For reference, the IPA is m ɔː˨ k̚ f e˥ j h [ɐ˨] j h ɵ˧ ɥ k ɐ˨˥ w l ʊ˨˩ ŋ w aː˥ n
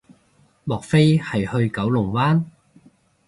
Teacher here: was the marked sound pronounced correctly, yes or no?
yes